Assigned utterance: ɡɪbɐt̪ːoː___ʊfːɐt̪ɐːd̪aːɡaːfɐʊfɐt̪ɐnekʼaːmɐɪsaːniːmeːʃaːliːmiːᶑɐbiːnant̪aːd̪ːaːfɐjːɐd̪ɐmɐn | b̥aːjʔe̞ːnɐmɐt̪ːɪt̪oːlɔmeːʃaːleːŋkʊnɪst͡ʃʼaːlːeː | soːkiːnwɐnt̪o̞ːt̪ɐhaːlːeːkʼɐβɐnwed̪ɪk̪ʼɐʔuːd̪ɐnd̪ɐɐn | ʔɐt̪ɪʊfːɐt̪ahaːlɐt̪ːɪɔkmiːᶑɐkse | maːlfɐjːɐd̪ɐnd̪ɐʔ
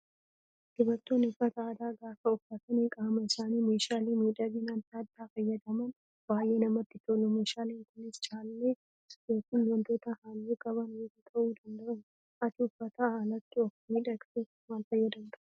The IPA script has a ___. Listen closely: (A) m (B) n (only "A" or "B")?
B